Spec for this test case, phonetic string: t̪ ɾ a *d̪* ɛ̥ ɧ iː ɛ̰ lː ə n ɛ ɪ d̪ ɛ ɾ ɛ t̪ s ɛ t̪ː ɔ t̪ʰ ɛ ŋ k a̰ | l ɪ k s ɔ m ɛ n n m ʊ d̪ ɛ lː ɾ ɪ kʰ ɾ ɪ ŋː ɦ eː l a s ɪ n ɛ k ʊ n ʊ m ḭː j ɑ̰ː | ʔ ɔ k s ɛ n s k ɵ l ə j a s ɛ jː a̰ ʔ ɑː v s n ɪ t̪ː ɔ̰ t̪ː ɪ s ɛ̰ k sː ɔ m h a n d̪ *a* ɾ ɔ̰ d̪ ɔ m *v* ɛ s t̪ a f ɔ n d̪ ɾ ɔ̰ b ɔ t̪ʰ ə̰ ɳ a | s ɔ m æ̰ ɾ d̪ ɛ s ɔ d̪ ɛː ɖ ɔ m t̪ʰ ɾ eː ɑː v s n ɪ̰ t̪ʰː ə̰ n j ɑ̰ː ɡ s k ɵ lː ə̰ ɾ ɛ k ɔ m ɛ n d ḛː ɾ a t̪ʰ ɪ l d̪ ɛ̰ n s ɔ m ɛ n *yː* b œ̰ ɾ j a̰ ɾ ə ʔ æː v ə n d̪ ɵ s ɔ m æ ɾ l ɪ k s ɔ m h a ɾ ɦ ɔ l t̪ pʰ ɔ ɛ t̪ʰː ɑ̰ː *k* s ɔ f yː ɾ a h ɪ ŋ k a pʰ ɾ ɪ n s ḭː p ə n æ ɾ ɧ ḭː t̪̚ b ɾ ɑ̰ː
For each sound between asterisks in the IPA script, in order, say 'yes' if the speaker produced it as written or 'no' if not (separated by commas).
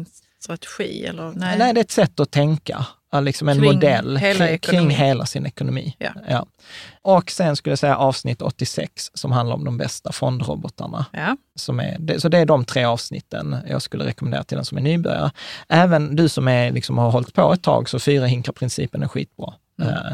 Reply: no, yes, no, yes, no